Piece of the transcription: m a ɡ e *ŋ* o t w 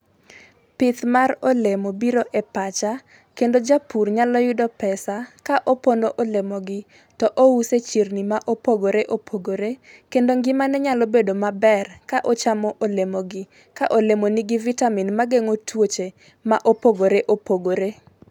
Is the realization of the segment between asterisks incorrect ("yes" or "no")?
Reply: no